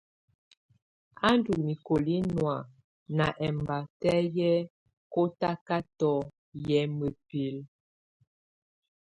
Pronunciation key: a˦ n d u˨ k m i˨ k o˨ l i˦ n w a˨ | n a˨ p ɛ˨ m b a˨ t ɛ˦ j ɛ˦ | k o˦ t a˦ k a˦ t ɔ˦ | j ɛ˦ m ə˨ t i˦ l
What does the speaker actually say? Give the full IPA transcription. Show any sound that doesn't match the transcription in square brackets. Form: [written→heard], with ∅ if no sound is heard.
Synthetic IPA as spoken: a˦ n d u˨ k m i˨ k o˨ l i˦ n w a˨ | n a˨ [p→ʔ] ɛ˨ m b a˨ t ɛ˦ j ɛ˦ | k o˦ t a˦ k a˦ t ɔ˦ | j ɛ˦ m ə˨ [t→p] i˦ l